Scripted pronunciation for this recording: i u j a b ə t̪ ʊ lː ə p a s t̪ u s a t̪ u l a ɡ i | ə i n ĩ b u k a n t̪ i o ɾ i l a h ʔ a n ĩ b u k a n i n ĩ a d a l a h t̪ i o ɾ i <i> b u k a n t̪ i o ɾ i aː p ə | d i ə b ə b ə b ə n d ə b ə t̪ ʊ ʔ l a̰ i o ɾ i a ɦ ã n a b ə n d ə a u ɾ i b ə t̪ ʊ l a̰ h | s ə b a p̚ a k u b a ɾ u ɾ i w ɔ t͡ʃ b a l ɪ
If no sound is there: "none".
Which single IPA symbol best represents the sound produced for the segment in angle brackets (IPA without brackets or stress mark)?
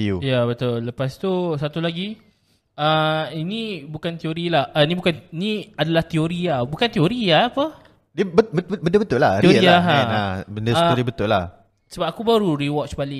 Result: a